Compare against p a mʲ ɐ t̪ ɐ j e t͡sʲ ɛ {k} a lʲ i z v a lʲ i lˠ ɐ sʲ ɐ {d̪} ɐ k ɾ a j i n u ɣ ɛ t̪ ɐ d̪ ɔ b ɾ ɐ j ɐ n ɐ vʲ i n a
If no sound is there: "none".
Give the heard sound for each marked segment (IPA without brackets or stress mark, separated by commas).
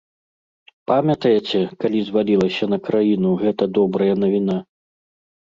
k, n̪